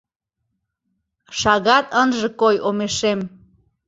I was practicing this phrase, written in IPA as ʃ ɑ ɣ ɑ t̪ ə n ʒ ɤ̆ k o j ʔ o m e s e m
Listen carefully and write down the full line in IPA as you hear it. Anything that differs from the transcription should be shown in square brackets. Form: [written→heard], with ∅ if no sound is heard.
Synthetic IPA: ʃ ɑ ɣ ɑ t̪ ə n ʒ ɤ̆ k o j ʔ o m e [s→ʃ] e m